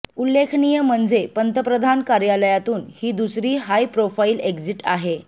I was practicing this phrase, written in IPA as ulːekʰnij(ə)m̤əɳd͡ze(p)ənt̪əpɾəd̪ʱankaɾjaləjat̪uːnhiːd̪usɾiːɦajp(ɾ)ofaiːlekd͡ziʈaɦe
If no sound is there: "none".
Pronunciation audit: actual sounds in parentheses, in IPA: ə, p, ɾ

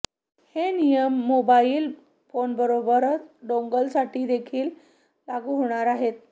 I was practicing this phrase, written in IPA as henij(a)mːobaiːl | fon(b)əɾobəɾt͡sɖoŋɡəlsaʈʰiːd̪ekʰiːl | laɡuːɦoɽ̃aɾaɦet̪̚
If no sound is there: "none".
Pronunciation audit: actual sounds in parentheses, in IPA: ə, b

